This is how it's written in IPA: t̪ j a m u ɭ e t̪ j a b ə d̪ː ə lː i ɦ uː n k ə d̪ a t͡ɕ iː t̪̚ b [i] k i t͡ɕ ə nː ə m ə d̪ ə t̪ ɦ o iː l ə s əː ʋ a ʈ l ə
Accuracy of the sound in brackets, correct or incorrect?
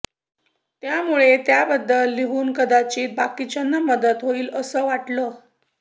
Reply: incorrect